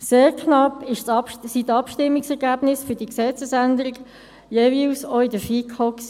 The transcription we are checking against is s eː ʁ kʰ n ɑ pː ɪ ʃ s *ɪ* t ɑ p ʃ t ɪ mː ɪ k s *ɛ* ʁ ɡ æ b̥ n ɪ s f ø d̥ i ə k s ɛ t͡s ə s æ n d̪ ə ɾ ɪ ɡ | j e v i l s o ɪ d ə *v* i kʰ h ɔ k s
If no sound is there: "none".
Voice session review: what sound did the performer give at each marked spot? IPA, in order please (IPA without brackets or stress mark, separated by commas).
i, ɛ, f